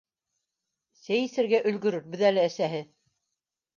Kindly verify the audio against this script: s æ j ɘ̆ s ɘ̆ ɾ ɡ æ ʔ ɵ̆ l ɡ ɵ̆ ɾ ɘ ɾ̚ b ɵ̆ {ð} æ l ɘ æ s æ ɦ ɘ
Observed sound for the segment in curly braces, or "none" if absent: ð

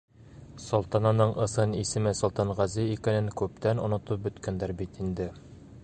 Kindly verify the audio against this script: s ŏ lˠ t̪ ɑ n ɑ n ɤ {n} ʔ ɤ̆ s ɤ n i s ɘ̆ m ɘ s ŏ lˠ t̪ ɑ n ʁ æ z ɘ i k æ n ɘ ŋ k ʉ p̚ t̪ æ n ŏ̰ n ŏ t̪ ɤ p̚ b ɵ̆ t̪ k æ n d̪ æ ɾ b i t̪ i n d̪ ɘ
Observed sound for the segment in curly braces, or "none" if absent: ɴ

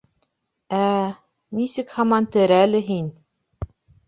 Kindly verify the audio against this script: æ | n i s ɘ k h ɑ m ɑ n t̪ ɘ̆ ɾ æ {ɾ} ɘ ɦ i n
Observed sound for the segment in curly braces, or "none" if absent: l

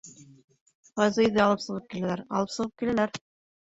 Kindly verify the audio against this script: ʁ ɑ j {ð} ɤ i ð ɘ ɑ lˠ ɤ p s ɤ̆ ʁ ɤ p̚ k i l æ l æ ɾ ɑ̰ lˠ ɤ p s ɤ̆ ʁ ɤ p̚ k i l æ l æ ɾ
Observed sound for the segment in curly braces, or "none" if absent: z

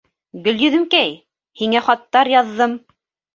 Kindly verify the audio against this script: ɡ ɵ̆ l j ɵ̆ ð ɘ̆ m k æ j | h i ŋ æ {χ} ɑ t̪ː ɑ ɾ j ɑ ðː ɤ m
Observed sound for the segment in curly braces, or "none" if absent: χ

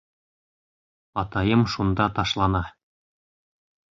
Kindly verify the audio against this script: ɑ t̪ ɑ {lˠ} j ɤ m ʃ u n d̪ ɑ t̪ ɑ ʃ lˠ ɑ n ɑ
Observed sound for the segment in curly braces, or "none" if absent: none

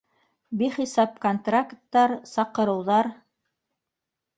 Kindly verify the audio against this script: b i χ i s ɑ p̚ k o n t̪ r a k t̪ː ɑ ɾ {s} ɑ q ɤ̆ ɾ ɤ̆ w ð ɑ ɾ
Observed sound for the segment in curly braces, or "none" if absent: s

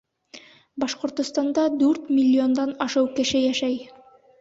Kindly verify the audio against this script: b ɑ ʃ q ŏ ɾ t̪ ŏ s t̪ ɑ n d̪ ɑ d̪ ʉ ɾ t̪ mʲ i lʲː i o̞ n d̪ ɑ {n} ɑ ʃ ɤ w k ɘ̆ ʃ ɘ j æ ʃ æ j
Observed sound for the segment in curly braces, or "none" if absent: n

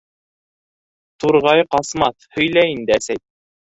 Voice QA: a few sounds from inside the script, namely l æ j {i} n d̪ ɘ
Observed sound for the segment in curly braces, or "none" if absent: i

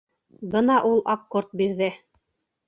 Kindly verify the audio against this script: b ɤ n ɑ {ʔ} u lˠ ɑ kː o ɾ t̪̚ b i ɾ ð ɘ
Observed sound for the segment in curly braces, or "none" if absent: ʔ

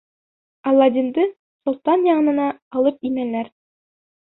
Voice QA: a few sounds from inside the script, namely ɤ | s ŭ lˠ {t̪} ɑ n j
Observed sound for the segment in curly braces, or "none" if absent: t̪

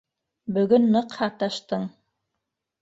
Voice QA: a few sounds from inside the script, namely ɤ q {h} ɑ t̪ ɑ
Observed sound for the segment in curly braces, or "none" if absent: h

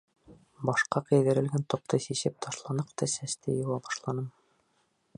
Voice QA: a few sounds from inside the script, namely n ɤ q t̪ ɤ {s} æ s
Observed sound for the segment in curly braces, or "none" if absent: s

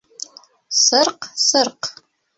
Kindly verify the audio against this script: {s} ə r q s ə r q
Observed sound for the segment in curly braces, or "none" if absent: s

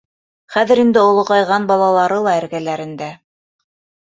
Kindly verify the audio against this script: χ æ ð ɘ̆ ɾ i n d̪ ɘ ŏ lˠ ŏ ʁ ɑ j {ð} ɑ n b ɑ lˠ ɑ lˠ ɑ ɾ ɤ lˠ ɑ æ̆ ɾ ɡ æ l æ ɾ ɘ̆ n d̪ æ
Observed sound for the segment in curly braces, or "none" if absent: ʁ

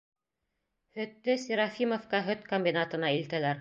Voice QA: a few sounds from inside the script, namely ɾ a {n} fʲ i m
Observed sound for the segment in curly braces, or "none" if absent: none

